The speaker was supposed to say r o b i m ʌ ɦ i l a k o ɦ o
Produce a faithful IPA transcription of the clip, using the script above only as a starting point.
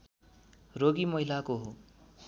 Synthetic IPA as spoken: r o ɡ i m ʌ ɦ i l a k o ɦ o